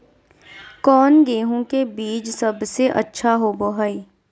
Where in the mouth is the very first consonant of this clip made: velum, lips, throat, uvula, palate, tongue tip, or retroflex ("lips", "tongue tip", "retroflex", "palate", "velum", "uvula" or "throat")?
velum